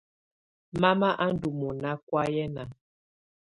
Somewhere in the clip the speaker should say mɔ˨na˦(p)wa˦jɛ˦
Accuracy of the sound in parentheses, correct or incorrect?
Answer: incorrect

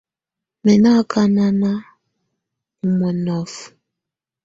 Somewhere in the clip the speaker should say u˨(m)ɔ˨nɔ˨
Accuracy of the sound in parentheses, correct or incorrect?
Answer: correct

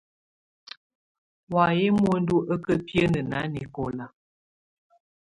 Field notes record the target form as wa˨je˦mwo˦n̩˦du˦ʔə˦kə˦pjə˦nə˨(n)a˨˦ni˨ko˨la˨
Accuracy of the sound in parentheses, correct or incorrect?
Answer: correct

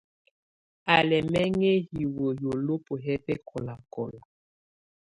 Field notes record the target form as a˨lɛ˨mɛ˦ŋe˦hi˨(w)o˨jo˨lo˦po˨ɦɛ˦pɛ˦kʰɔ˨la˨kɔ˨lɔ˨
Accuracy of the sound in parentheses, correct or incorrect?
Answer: correct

